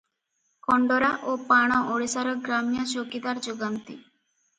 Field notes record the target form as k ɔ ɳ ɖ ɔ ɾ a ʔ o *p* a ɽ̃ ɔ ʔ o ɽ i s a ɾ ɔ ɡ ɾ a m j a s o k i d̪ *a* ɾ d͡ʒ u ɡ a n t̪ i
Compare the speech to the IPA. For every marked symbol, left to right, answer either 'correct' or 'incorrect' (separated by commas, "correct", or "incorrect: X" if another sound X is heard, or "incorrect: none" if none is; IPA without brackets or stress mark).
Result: correct, correct